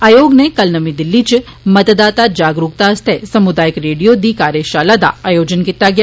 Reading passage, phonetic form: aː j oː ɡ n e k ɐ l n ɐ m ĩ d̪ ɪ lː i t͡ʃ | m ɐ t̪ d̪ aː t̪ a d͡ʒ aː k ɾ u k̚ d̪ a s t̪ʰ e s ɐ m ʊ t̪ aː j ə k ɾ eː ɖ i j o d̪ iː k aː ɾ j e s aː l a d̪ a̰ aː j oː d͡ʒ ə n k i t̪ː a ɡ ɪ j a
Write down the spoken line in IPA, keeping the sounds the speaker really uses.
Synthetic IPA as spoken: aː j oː ɡ n e k ɐ l n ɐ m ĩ d̪ ɪ lː i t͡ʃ | m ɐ t̪ d̪ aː t̪ a d͡ʒ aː ɡ ɾ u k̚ t̪ a s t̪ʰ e s ɐ m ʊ d̪ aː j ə k ɾ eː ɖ i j o d̪ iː k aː ɾ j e ʃ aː l a d̪ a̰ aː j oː d͡ʒ ə n k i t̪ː a ɡ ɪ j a